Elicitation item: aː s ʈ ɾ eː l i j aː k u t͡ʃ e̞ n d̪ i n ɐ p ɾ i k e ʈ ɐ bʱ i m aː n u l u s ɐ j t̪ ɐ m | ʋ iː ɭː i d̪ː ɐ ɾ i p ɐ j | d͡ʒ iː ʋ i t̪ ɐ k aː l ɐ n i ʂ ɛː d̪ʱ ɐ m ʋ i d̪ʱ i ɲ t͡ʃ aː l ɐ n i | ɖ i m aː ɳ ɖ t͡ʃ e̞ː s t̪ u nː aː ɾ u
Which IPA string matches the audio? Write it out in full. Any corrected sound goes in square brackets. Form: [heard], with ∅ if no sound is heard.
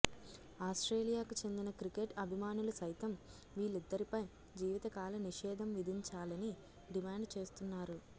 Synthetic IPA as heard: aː s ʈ ɾ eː l i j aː k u t͡ʃ e̞ n d̪ i n ɐ [k] ɾ i k e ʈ ɐ bʱ i m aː n u l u s ɐ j t̪ ɐ m | ʋ iː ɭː i d̪ː ɐ ɾ i p ɐ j | d͡ʒ iː ʋ i t̪ ɐ k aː l ɐ n i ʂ ɛː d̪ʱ ɐ m ʋ i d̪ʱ i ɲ t͡ʃ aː l ɐ n i | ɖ i m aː ɳ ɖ t͡ʃ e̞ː s t̪ u nː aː ɾ u